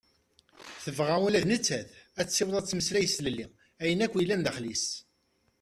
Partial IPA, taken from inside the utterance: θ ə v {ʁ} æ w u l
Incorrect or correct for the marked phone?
correct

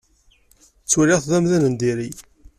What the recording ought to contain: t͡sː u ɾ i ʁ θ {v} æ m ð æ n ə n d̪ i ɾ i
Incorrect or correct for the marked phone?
incorrect: ð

